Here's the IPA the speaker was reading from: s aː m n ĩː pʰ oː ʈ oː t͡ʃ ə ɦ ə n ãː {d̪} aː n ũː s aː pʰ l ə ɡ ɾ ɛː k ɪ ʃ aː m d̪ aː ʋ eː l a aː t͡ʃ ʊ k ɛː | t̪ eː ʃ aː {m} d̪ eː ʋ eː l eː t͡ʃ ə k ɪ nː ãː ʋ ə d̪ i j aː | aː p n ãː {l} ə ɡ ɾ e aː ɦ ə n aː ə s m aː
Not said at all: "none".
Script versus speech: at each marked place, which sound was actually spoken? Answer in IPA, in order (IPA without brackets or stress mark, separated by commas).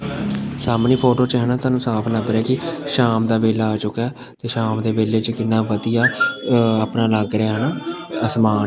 t̪, m, l